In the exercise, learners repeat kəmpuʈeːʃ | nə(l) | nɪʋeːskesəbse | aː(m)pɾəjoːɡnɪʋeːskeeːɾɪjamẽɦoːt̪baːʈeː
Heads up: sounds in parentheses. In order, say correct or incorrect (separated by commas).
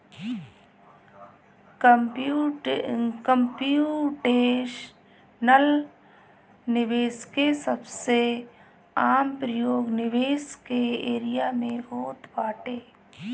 correct, correct